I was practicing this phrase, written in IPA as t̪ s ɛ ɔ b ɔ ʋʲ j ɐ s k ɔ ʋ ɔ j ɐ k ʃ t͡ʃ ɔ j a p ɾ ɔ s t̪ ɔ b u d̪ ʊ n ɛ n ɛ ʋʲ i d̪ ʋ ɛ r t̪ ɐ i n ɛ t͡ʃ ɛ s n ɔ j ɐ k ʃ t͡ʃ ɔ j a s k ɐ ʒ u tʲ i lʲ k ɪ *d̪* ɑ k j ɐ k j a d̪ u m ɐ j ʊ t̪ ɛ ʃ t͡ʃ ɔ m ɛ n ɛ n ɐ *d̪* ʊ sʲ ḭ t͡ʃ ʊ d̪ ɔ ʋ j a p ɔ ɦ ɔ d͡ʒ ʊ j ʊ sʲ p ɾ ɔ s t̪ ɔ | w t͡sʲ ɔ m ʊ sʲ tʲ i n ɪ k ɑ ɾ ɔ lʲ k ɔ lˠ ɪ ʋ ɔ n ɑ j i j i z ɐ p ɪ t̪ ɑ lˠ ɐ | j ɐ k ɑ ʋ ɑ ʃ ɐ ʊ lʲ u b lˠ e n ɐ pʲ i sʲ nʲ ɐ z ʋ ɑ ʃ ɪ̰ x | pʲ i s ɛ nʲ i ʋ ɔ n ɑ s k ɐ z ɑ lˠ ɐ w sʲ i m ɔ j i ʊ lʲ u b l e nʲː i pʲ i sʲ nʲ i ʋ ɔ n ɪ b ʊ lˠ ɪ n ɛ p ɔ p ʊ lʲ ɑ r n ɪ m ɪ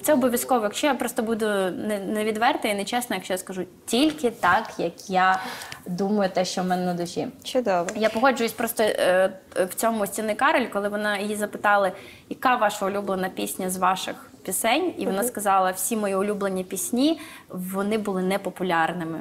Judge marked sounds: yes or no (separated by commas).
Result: no, yes